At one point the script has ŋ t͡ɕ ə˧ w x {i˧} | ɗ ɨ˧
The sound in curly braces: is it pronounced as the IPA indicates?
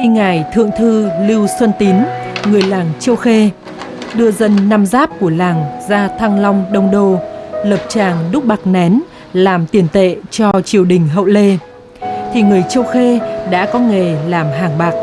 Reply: no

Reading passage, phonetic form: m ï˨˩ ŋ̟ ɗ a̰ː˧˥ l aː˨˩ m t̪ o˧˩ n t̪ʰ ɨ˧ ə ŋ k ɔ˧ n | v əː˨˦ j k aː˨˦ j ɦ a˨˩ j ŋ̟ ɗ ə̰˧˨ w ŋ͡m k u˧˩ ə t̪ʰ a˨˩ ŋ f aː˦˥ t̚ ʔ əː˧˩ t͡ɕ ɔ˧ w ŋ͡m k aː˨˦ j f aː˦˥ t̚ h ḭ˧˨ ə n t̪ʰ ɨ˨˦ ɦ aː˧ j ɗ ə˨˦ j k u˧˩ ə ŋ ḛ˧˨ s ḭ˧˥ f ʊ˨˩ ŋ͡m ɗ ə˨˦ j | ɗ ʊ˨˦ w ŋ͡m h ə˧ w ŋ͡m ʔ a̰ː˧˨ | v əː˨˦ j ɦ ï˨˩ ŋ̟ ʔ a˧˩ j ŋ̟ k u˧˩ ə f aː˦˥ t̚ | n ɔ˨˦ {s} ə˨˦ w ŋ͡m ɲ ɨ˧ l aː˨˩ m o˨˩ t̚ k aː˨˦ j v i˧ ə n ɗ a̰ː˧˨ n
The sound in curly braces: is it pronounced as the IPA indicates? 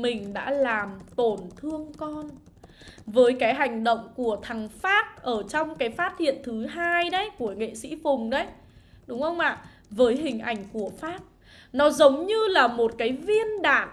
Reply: no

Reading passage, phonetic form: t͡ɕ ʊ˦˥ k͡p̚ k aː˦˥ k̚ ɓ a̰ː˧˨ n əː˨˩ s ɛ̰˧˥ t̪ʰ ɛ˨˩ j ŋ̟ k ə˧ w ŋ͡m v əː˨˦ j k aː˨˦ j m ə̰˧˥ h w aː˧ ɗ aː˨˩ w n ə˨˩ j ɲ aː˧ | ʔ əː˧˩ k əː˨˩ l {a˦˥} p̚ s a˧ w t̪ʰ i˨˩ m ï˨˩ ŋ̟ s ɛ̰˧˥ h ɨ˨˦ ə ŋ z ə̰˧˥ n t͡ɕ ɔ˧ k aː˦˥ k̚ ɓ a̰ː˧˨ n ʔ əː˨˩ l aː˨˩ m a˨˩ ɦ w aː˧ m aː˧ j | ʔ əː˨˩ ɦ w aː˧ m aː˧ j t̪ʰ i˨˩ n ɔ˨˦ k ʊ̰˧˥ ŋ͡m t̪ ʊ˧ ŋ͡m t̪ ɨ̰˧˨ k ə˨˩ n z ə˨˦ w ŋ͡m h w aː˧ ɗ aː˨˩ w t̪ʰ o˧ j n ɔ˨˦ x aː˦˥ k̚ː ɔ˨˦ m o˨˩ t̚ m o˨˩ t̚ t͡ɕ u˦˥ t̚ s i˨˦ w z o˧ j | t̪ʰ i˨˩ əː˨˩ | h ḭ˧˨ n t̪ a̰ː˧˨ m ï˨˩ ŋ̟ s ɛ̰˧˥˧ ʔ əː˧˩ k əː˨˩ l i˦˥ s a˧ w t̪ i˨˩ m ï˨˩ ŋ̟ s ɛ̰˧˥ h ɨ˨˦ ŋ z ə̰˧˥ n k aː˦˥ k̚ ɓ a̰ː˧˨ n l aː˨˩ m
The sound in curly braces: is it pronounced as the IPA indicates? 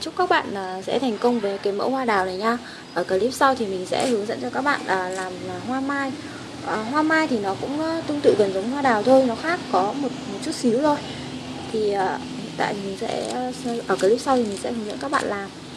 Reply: no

